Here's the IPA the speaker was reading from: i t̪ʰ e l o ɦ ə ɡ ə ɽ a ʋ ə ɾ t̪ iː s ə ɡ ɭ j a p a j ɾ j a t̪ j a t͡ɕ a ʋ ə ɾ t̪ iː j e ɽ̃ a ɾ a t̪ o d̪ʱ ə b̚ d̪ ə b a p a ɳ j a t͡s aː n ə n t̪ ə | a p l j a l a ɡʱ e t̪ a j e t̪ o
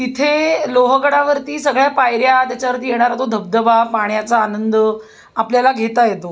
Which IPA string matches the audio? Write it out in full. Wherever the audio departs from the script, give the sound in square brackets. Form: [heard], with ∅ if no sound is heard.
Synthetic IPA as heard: i t̪ʰ e l o ɦ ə ɡ ə ɽ a ʋ ə ɾ t̪ iː s ə ɡ ɭ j a p a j ɾ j a t̪ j a t͡ɕ a ʋ ə ɾ t̪ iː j e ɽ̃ a ɾ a t̪ o d̪ʱ ə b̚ d̪ ə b a p a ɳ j a t͡s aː n ə n [d̪] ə | a p l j a l a ɡʱ e t̪ a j e t̪ o